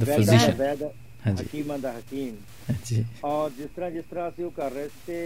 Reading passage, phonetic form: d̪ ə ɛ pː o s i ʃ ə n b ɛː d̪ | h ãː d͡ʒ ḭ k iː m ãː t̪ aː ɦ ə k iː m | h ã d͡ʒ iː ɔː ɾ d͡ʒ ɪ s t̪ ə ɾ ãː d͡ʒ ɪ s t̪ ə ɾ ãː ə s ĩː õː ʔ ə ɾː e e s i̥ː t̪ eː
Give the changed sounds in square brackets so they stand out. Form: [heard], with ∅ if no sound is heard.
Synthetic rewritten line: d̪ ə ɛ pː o [z] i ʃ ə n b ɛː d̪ | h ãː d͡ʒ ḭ k iː m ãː [d̪] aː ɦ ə k iː m | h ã d͡ʒ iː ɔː ɾ d͡ʒ ɪ s t̪ ə ɾ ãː d͡ʒ ɪ s t̪ ə ɾ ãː ə s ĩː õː [k] ə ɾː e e s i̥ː t̪ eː